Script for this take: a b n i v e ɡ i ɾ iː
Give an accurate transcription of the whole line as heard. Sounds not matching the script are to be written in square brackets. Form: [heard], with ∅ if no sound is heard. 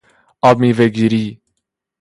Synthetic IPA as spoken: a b [m] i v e ɡ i ɾ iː